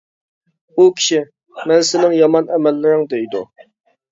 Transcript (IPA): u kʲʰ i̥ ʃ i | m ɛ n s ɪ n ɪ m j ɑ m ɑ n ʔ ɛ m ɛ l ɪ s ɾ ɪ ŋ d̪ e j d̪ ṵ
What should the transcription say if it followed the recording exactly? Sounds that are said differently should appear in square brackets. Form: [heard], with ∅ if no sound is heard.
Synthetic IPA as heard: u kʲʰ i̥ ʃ i | m ɛ n s ɪ n ɪ [ŋ] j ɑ m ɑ n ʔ ɛ m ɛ [lː] ɪ [∅] ɾ ɪ ŋ d̪ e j d̪ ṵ